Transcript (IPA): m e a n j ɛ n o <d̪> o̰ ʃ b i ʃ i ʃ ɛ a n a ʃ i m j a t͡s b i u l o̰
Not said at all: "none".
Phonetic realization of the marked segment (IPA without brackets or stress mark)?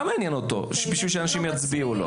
t̪